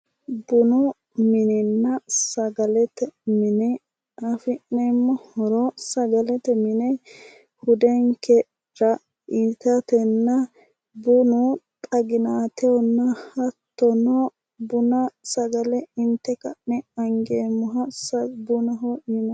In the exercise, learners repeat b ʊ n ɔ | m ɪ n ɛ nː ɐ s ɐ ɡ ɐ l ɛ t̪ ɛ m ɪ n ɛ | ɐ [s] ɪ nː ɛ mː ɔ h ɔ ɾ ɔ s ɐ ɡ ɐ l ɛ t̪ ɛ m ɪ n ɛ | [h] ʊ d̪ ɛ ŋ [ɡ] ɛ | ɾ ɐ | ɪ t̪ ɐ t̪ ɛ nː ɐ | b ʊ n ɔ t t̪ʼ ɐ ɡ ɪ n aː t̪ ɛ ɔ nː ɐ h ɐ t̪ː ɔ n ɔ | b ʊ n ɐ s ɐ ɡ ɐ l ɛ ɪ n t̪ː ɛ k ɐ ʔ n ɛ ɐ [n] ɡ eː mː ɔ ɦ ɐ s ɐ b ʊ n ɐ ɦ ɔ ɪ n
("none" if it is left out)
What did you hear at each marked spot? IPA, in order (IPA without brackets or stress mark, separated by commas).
f, h, k, ŋ